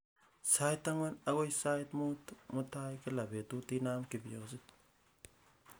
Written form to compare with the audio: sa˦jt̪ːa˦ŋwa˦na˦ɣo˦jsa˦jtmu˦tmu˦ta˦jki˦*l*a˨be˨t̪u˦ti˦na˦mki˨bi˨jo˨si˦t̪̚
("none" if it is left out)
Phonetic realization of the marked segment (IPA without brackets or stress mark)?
l